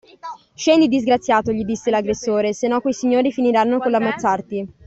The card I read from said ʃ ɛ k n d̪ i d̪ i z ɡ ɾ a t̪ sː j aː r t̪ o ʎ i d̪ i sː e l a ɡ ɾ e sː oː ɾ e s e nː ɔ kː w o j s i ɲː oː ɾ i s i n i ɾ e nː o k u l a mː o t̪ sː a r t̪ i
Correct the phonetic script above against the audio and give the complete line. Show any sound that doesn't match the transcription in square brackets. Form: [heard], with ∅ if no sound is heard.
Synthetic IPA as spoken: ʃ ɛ [∅] n d̪ i d̪ i z ɡ ɾ a t̪ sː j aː [∅] t̪ o ʎ i d̪ i sː e l a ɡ ɾ e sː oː ɾ e s e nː ɔ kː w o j s i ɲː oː ɾ i [f] i n i ɾ [a] nː o k [o] l a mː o t̪ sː a r t̪ i